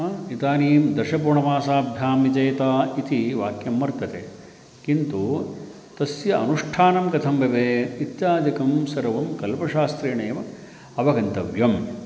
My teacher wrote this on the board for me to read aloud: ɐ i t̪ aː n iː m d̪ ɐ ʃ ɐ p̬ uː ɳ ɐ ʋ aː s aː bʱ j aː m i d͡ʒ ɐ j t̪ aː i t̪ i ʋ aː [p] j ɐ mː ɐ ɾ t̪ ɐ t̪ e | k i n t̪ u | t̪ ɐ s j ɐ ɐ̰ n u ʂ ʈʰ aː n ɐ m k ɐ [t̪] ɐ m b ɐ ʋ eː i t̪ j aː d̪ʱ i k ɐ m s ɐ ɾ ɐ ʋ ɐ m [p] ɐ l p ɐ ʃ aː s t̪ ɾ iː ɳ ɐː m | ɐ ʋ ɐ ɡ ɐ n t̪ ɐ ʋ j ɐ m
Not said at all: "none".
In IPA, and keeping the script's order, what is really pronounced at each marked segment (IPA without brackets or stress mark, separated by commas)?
k, t̪ʰ, k